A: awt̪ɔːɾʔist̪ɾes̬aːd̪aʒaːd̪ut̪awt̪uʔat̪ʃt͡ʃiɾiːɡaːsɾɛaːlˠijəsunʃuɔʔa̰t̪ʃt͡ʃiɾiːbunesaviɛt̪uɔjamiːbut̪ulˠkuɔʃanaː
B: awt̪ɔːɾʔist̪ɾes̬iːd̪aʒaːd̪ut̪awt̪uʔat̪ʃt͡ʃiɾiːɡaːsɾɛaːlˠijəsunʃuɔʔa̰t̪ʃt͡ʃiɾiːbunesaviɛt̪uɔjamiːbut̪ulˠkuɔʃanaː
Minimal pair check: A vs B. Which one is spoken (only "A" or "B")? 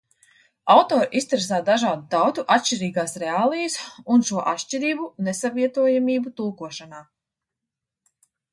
A